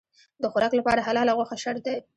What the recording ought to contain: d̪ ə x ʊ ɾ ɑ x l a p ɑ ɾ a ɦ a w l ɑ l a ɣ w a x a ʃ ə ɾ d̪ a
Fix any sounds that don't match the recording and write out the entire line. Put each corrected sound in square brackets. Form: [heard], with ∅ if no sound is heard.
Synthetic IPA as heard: d̪ ə x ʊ ɾ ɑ [k] l a p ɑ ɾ a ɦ a [∅] l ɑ l a ɣ w a x a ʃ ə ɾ d̪ a